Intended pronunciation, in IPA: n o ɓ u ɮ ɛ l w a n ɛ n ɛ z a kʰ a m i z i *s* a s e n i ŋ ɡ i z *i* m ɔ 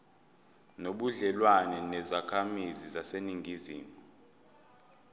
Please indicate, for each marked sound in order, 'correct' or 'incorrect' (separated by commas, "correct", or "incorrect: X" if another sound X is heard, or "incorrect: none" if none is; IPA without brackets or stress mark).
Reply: incorrect: z, incorrect: iː